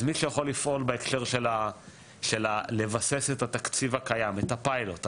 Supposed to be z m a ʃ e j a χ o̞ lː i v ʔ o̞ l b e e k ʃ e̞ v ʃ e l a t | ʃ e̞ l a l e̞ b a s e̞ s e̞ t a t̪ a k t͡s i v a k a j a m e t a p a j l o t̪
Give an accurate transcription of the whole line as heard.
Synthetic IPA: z m i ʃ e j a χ o̞ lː i f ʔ o̞ l b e e k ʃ e̞ ʁ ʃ e l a | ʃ e̞ l a l e̞ v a s e̞ s e̞ t a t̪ a k t͡s i v a k a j a m e t a p a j l o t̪